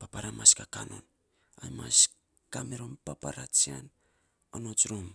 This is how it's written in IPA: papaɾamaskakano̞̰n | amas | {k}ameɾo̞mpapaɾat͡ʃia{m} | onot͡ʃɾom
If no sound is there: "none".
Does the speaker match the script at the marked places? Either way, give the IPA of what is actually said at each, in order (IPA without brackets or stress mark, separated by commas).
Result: k, n